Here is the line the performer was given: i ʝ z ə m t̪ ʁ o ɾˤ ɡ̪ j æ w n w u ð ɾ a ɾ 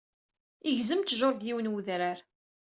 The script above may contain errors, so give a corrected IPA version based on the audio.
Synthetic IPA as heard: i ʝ z ə m t̪ ʒ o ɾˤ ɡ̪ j i w n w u ð ɾ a ɾ

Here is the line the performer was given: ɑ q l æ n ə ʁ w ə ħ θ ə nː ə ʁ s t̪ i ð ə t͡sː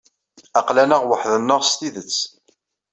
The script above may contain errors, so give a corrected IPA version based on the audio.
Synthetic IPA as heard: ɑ q l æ n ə ʁ w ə ħ ð ə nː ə ʁ s t̪ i ð ə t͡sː

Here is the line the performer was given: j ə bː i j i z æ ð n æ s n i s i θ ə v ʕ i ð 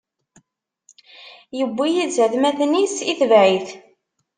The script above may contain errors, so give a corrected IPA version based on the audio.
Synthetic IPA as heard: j ə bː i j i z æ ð m æ θ n i s i θ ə v ʕ i θ

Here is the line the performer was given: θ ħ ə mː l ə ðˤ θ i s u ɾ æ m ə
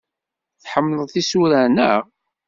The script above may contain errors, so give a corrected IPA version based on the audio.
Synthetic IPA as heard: θ ħ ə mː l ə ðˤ θ i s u ɾ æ n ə

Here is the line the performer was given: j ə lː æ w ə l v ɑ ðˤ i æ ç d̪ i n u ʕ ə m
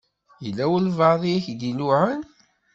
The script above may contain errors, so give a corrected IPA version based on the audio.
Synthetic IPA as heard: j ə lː æ w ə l v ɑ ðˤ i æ ç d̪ i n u ʕ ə n

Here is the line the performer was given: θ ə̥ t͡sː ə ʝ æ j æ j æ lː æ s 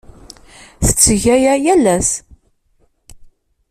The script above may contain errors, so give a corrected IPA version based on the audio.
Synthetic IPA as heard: θ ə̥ t͡sː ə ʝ æ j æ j æ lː æ s

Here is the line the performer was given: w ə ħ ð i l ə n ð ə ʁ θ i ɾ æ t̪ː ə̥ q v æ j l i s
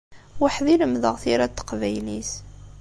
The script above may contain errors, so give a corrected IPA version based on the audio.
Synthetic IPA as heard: w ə ħ ð i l ə m ð ə ʁ θ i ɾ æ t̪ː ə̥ q v æ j l i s

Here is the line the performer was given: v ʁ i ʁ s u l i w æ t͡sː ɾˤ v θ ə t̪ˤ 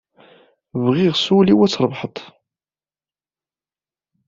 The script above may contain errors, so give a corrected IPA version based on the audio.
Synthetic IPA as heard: v ʁ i ʁ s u l i w æ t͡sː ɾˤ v ħ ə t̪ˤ

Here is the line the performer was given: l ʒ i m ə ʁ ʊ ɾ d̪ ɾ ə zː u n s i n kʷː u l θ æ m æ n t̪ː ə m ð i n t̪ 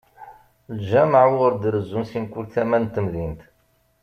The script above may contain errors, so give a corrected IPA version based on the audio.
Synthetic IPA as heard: l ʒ æ m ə ʕ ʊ ɾ d̪ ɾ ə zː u n s i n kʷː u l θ æ m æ n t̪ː ə m ð i n t̪

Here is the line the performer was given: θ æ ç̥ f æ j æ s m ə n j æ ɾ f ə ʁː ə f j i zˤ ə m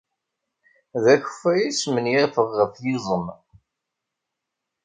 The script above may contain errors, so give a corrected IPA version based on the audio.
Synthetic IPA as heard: ð æ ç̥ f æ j i s m ə n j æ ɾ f ə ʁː ə f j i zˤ ə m

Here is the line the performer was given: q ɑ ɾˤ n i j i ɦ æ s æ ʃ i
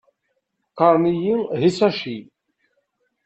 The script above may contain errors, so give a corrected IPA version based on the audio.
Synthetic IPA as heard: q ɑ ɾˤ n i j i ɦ i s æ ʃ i

